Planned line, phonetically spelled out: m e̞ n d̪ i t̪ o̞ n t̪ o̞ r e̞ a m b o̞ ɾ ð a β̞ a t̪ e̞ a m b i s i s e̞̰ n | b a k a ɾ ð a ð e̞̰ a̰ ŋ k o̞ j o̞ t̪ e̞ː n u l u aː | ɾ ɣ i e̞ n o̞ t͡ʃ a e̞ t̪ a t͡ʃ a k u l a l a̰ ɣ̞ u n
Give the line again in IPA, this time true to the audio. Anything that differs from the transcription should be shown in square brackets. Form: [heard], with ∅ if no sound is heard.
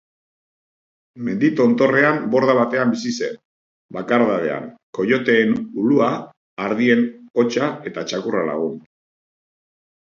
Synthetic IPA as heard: m e̞ n d̪ i t̪ o̞ n t̪ o̞ r e̞ a m b o̞ ɾ ð a β̞ a t̪ e̞ a m b i s i s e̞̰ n | b a k a ɾ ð a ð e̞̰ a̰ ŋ k o̞ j o̞ t̪ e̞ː n u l u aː | ɾ [ð] i e̞ n o̞ t͡ʃ a e̞ t̪ a t͡ʃ a k u [r] a l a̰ ɣ̞ u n